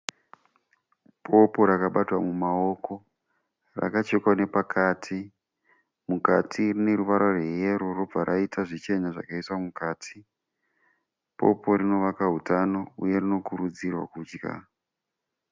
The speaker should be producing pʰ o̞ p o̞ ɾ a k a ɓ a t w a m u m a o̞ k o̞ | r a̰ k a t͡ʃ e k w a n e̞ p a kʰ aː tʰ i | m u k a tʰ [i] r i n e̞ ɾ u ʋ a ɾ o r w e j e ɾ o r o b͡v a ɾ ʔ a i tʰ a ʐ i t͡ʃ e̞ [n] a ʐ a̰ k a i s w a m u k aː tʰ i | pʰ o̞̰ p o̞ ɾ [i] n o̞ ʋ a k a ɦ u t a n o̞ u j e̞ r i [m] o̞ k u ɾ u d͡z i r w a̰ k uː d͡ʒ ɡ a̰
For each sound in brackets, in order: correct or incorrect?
correct, incorrect: ɲ, correct, incorrect: n

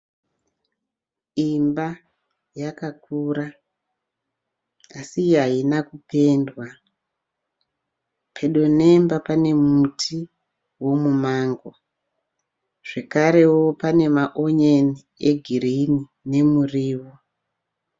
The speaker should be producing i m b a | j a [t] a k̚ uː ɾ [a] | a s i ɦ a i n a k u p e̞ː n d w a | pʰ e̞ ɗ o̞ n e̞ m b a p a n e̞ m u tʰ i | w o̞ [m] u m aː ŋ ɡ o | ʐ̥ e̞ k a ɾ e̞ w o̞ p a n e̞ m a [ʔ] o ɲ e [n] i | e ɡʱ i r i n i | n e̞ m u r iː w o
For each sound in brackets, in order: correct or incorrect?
incorrect: k, correct, correct, correct, correct

